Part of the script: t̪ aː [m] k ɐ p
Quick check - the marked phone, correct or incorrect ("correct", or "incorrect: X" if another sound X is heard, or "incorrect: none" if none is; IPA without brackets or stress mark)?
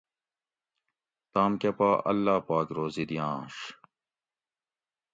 correct